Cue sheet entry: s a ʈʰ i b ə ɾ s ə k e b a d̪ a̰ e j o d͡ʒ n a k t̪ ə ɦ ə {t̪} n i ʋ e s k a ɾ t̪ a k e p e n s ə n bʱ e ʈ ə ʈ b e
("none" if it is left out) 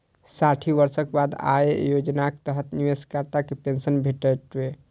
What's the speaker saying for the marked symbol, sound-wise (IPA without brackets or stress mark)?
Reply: t̪